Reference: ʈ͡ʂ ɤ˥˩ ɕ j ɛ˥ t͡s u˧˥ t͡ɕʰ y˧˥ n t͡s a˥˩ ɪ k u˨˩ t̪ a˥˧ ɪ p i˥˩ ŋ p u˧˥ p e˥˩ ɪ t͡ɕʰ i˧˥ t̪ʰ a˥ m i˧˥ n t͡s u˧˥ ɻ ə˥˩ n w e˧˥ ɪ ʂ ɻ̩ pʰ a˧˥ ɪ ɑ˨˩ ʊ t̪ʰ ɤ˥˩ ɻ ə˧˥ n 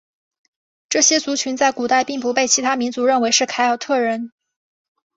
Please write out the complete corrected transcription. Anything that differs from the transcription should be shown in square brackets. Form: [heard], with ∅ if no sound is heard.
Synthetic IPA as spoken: ʈ͡ʂ ɤ˥˩ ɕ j ɛ˥ t͡s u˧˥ t͡ɕʰ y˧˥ n t͡s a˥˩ ɪ k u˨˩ t̪ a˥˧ ɪ p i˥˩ ŋ p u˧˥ p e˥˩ ɪ t͡ɕʰ i˧˥ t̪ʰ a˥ m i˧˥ n t͡s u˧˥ ɻ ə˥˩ n w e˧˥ ɪ ʂ ɻ̩ [kʰ] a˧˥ ɪ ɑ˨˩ ʊ t̪ʰ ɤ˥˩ ɻ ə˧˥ n